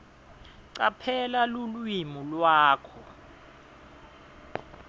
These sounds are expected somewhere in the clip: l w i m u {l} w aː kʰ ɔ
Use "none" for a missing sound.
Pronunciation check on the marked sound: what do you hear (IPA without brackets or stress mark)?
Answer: l